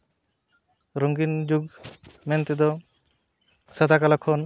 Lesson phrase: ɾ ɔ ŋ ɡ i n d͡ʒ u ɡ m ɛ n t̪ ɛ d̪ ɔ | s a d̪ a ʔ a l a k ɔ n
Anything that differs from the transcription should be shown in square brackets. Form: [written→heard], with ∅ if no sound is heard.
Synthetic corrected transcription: ɾ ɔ ŋ ɡ i n d͡ʒ u ɡ m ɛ n t̪ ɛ d̪ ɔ | s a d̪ a [ʔ→k] a l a [k→kʰ] ɔ n